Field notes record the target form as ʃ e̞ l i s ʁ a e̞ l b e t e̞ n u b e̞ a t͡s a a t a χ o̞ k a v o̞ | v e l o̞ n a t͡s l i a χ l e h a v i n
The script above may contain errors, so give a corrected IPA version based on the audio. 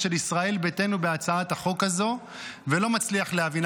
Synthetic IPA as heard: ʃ e̞ l i s ʁ a e̞ l b e t e̞ n u b e̞ a t͡s a a t a χ o̞ k a z o̞ | v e l o̞ m a t͡s l i a χ l e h a v i n